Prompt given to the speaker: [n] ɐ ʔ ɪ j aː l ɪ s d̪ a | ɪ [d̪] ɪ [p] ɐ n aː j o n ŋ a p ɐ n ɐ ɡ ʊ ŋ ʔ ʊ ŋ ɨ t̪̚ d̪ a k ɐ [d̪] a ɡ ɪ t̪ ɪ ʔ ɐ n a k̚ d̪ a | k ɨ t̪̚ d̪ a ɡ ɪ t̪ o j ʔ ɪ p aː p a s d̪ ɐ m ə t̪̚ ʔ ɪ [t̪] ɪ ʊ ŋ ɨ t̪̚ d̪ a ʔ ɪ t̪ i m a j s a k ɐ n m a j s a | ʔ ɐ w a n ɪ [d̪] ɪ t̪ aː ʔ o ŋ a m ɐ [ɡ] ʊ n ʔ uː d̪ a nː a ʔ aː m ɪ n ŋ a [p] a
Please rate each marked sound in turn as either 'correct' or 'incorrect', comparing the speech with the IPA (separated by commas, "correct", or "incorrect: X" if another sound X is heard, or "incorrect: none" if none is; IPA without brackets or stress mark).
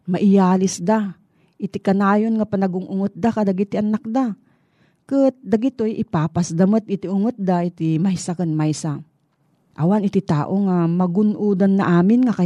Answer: incorrect: m, incorrect: t̪, incorrect: k, correct, correct, incorrect: t̪, correct, incorrect: k